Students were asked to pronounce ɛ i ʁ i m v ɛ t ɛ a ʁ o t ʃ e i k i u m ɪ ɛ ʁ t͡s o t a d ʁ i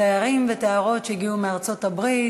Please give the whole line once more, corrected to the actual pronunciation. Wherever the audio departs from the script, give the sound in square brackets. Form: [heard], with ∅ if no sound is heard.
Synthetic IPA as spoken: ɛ [a] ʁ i m v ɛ t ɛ a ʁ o t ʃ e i [ɡ] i u m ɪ [a] ʁ t͡s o t a [b] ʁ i